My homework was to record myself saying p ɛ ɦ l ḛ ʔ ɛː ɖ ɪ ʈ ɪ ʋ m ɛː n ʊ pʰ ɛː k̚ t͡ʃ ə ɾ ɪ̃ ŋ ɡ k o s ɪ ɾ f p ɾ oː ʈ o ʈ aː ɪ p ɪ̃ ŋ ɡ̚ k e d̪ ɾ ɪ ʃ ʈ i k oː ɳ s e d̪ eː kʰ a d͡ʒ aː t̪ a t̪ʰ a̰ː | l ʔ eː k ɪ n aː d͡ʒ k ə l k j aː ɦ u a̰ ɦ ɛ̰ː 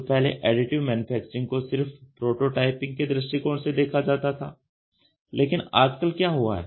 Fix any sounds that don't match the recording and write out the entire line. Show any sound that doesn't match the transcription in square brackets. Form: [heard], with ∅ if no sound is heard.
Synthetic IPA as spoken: p ɛ ɦ l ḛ ʔ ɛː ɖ ɪ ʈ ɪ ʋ m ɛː n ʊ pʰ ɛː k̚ t͡ʃ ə ɾ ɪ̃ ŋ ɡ k o s ɪ ɾ f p ɾ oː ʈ o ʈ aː ɪ p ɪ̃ ŋ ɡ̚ k e d̪ ɾ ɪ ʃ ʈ i k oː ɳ s e d̪ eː kʰ a d͡ʒ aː t̪ a t̪ʰ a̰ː | l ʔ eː k ɪ n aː d͡ʒ k ə l k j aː ɦ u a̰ ɦ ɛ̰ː